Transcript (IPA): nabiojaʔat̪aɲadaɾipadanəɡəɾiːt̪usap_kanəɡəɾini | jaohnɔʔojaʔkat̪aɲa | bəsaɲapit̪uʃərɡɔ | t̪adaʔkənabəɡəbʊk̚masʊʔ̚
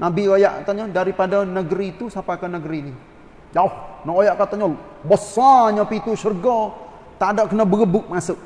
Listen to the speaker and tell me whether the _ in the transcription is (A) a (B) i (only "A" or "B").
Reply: A